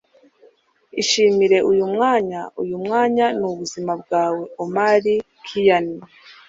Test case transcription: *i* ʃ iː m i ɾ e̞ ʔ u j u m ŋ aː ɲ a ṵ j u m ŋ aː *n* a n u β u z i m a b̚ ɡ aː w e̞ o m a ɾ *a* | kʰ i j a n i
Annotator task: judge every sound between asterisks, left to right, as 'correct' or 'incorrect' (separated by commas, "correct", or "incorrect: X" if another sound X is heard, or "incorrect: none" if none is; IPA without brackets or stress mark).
correct, incorrect: ɲ, incorrect: i